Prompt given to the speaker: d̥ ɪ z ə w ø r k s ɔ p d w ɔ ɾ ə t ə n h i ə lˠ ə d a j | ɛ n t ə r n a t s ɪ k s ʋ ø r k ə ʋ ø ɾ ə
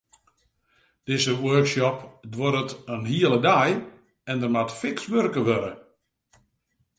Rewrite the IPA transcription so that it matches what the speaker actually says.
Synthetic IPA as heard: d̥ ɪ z ə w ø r k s ɔ p d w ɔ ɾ ə t ə n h i ə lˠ ə d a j | ɛ n d ə r m a t f ɪ k s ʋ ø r k ə ʋ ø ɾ ə